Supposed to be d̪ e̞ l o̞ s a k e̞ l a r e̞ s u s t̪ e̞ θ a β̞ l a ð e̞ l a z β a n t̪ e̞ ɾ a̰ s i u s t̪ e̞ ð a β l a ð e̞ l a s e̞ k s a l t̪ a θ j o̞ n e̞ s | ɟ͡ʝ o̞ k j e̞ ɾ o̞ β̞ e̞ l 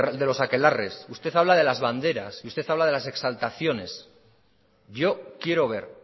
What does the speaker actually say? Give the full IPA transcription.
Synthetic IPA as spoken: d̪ e̞ l o̞ s a k e̞ l a r e̞ s u s t̪ e̞ θ a β̞ l a ð e̞ l a z β a n d̪ e̞ ɾ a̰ s i u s t̪ e̞ θ a β l a ð e̞ l a s e̞ k s a l t̪ a θ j o̞ n e̞ s | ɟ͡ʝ o̞ k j e̞ ɾ o̞ β̞ e̞ ɾ